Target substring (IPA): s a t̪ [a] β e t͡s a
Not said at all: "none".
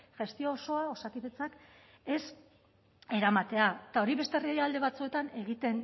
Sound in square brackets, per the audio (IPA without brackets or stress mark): i